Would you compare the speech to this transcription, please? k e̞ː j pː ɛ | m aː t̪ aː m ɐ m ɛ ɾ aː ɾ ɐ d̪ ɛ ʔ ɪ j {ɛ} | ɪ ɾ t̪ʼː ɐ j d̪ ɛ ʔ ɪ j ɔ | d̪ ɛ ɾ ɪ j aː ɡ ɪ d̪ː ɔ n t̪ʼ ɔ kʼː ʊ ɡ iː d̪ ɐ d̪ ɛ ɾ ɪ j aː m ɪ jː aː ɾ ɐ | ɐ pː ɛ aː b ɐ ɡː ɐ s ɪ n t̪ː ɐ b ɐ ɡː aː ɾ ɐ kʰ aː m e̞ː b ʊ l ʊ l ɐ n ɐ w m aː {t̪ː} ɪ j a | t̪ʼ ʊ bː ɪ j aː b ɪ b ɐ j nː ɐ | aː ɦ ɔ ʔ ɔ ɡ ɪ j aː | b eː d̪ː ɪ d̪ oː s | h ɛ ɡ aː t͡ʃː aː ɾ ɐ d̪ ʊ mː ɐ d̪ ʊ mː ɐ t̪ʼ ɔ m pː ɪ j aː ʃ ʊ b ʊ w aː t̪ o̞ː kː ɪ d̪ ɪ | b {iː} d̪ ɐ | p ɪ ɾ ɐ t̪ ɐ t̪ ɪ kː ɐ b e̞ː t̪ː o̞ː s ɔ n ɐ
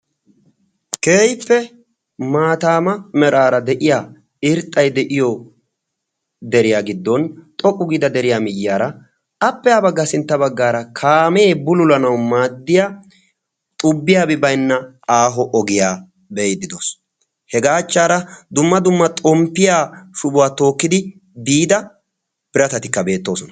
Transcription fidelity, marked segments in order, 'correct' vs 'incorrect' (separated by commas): incorrect, incorrect, correct